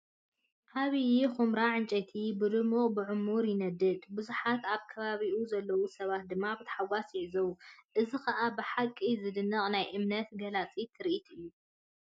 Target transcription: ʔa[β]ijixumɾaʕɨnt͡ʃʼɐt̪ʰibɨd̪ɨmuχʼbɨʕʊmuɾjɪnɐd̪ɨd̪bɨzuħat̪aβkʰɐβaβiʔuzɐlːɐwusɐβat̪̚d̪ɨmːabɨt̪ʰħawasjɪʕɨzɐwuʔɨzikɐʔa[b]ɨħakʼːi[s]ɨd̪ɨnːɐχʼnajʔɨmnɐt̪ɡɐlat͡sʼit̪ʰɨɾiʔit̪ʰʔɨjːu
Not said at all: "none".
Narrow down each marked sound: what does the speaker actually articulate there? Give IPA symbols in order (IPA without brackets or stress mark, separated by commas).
β, b, z